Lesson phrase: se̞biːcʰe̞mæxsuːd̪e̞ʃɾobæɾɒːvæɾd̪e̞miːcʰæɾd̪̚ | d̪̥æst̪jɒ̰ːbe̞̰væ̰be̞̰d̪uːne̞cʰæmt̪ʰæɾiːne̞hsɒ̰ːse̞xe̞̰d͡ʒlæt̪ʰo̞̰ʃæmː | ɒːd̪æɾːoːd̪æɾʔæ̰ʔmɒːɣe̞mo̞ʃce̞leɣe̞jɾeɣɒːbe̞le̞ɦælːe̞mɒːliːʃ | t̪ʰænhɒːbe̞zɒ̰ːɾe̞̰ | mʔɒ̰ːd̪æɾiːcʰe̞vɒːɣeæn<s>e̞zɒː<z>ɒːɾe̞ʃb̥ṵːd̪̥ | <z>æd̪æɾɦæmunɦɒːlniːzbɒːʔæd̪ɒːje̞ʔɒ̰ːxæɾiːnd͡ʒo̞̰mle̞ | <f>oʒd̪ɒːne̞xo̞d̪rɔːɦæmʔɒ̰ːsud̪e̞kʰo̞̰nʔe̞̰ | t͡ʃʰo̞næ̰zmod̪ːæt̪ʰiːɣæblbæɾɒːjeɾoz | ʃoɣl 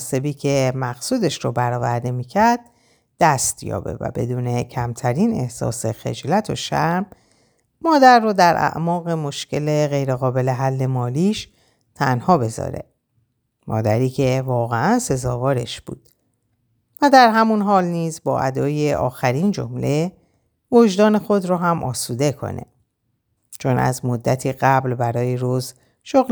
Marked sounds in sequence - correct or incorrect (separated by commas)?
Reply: correct, incorrect, incorrect, incorrect